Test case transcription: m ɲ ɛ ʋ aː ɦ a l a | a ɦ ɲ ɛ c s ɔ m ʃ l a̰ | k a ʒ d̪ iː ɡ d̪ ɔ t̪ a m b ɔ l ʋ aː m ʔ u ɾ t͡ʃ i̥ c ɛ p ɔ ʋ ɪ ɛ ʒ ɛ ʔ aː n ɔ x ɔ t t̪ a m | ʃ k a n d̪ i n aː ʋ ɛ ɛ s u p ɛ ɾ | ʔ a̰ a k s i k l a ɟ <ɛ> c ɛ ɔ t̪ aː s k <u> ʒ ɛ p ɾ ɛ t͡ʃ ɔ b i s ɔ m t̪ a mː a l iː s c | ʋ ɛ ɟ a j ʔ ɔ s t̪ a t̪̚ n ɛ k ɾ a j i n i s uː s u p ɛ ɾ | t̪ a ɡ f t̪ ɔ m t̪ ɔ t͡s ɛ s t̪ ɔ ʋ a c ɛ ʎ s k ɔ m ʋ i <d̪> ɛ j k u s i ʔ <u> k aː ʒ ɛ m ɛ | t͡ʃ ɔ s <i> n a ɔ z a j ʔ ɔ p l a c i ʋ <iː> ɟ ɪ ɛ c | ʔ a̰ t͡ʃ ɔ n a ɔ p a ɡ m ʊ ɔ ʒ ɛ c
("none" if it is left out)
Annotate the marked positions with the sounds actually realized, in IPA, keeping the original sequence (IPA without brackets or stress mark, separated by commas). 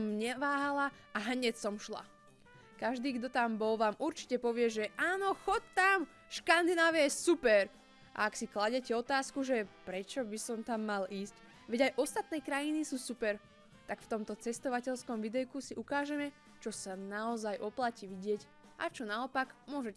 ɛ, u, d̪, u, a, i